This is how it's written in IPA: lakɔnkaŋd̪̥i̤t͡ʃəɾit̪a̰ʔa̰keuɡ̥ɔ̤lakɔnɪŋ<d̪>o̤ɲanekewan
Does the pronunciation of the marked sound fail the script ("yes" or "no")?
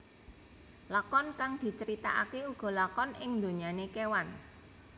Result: no